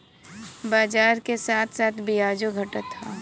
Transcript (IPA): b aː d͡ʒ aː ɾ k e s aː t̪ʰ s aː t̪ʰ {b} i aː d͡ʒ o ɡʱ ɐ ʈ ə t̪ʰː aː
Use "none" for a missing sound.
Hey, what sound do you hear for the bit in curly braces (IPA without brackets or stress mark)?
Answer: b